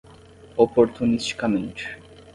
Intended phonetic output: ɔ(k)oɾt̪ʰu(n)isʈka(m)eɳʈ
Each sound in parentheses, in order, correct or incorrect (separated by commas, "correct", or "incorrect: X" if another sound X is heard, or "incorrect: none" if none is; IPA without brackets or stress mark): incorrect: p, correct, correct